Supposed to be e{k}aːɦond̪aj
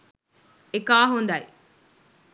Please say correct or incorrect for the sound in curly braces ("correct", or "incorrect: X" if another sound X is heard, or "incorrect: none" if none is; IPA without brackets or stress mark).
correct